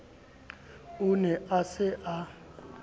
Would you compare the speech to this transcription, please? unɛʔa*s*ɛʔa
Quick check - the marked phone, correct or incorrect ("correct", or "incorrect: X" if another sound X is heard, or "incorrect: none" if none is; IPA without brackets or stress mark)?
correct